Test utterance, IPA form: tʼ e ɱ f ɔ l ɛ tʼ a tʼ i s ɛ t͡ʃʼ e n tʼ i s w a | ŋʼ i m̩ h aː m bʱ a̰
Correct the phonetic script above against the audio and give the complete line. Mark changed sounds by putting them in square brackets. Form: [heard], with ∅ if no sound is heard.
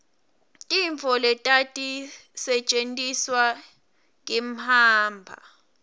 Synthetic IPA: tʼ [i] ɱ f ɔ l ɛ tʼ a tʼ i s ɛ t͡ʃʼ e n tʼ i s w a | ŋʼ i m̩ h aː m bʱ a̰